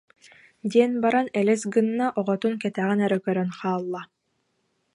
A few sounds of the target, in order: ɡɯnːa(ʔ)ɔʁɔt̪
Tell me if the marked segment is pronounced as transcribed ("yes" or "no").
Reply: yes